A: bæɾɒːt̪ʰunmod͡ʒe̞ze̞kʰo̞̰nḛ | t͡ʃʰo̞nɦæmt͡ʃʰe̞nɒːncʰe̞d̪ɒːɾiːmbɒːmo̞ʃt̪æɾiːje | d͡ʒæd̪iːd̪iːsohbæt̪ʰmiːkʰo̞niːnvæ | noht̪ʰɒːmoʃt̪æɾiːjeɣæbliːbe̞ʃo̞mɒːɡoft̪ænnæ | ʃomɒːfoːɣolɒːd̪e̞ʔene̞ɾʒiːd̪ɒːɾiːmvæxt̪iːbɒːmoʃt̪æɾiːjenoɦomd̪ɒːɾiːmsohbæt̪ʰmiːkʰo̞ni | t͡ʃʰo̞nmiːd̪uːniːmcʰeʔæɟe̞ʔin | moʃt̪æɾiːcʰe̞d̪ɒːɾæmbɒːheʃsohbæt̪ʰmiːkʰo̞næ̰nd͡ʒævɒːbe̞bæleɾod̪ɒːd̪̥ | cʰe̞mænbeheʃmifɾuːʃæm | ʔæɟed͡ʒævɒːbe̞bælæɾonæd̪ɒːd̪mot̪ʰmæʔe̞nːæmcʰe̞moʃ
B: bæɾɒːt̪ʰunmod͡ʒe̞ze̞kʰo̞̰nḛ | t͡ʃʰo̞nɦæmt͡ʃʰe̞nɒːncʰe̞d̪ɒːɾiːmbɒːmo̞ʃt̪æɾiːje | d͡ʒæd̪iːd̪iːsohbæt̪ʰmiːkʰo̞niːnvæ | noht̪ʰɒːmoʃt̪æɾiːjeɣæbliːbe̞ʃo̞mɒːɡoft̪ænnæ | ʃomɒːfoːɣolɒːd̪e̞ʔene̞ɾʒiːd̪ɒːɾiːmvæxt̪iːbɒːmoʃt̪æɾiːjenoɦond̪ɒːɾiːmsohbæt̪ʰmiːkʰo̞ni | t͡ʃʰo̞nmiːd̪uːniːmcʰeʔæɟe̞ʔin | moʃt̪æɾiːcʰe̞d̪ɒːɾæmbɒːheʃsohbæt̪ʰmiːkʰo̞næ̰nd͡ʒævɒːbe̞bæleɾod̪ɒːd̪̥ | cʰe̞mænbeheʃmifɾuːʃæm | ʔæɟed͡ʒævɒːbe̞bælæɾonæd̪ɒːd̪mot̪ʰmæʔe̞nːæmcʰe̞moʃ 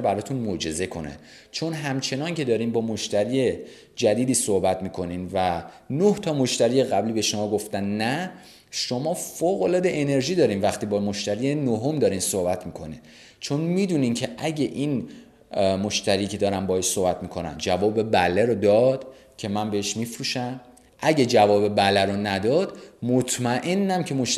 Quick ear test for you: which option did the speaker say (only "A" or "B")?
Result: A